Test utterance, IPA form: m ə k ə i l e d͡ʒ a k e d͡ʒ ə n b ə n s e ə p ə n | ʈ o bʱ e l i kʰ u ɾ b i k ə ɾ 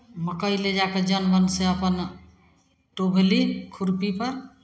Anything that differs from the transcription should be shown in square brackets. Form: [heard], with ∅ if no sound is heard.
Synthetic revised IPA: m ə k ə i l e d͡ʒ a k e d͡ʒ ə n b ə n s e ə p ə n | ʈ o bʱ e l i kʰ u ɾ [p] i [p] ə ɾ

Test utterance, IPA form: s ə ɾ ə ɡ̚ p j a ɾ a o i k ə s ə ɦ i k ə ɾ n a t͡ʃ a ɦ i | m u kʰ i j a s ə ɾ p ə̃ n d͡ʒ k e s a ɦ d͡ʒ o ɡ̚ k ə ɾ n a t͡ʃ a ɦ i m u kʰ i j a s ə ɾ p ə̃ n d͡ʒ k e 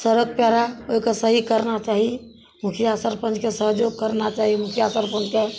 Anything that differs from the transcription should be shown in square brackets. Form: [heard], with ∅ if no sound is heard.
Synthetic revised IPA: s ə ɾ ə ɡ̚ p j a ɾ a o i k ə s ə ɦ i k ə ɾ n a t͡ʃ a ɦ i | m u kʰ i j a s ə ɾ p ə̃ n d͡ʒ k e s [ə] ɦ d͡ʒ o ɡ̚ k ə ɾ n a t͡ʃ a ɦ i m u kʰ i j a s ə ɾ p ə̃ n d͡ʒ k e

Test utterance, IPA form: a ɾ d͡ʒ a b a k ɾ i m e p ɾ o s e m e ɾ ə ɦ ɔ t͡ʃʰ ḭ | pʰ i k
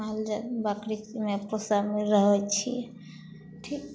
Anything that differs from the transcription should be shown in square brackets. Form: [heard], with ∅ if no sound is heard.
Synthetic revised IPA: a [l] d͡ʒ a b a k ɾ i m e p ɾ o s [a] m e ɾ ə ɦ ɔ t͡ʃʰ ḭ | [ʈʰ] i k

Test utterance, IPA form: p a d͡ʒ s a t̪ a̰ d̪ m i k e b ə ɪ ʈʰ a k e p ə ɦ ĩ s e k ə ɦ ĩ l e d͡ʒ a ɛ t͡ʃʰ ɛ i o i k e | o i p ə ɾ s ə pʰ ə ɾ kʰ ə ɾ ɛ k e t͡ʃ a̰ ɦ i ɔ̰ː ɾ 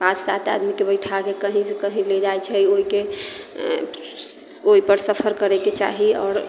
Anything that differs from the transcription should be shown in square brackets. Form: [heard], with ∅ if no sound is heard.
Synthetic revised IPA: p a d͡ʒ s a t̪ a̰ d̪ m i k e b ə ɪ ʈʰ a k e [k] ə ɦ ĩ s e k ə ɦ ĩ l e d͡ʒ a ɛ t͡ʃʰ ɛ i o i k e | o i p ə ɾ s ə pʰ ə ɾ [k] ə ɾ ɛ k e t͡ʃ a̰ ɦ i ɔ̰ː ɾ

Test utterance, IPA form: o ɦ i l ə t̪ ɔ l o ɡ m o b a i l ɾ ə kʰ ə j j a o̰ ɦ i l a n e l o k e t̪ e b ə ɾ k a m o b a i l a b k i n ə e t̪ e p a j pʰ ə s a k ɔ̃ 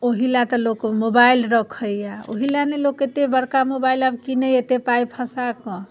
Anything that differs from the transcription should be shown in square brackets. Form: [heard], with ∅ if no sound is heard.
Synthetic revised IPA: o ɦ i l [a] t̪ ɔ l o [k] m o b a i l ɾ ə kʰ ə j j a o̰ ɦ i l a n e l o k e t̪ e b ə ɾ k a m o b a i l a b k i n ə e t̪ e p a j pʰ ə s a k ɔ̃

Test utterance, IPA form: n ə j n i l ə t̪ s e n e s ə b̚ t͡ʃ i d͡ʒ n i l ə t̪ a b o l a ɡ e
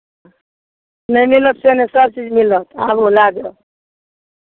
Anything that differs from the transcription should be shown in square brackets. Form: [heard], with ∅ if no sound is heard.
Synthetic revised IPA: n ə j [m] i l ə t̪ s e n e s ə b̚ t͡ʃ i d͡ʒ [m] i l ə t̪ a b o l a ɡ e

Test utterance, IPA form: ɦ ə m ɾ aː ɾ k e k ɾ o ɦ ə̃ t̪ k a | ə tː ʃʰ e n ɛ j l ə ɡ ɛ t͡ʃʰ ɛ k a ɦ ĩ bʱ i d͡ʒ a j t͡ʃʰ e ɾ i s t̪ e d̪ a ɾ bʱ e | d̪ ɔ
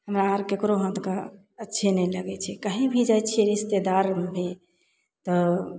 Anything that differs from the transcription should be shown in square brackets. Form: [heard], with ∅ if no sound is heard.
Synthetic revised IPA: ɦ ə m ɾ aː ɾ k e k ɾ o ɦ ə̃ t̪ k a | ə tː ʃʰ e n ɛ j l ə ɡ ɛ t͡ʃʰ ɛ k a ɦ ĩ bʱ i d͡ʒ a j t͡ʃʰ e ɾ i s t̪ e d̪ a ɾ bʱ e | [t̪] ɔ

